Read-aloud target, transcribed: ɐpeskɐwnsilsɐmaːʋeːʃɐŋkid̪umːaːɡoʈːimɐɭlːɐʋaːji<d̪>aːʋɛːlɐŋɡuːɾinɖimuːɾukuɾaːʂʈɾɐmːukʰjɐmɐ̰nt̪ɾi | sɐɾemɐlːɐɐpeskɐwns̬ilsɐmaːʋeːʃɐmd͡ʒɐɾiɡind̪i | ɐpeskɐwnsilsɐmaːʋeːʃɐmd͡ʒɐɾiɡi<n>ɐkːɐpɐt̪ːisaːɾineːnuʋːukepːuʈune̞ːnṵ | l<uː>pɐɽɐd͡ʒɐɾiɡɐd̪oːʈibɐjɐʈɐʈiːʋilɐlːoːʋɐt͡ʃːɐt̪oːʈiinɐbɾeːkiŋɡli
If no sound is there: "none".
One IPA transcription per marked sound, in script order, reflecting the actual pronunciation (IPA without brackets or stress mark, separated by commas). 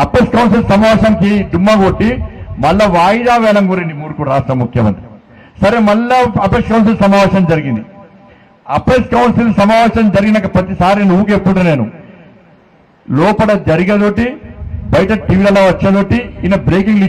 d̪, n, ɔː